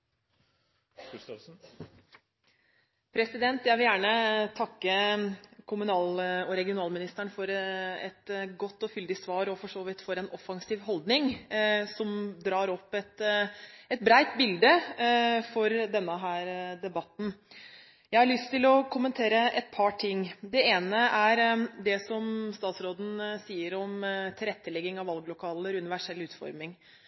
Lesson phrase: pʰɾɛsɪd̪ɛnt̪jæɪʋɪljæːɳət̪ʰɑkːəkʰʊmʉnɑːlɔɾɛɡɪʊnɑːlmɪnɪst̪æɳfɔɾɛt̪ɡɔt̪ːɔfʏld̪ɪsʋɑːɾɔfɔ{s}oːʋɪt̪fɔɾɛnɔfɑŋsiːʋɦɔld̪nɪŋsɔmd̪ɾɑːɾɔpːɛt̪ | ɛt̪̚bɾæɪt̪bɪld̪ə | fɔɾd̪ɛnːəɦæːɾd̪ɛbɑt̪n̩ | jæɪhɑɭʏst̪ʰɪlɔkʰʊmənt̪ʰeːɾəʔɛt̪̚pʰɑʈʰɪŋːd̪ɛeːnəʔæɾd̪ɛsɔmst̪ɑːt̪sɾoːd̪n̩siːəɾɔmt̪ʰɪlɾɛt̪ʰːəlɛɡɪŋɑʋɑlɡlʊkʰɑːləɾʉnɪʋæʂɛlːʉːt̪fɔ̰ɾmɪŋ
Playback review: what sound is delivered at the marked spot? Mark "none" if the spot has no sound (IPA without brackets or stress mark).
ʂ